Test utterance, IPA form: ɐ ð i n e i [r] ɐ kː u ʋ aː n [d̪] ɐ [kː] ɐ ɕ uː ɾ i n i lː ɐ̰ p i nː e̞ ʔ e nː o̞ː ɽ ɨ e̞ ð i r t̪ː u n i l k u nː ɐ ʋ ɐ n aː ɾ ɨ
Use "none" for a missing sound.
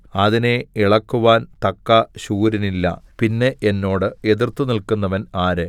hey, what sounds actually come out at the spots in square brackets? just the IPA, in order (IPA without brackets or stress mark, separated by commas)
ɭ, t̪, kː